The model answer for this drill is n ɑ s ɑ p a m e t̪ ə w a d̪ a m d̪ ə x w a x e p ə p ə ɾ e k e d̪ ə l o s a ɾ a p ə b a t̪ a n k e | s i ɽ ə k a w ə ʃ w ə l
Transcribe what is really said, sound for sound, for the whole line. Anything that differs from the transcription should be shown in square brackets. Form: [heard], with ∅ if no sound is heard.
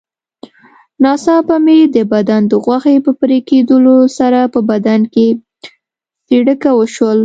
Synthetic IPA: n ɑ s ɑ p a m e [d̪] ə [b] a d̪ a [n] d̪ ə [ɣ] w a x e p ə p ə ɾ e k e d̪ ə l o s a ɾ a p ə b a [d̪] a n k e | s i ɽ ə k a w ə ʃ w ə l